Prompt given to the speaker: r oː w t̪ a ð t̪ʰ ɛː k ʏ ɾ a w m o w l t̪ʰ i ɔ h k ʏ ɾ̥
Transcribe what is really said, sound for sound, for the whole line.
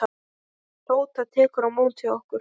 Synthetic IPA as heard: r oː w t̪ a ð t̪ʰ ɛː k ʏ ɾ a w m o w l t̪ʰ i ɔ h k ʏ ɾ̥